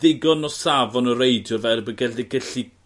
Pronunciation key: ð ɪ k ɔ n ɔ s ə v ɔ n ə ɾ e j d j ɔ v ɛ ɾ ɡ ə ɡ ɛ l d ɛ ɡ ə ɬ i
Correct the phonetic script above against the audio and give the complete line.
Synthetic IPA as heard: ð ɪ ɡ ɔ n ɔ s a v ɔ n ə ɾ e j d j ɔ v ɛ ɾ b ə ɡ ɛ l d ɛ ɡ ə ɬ i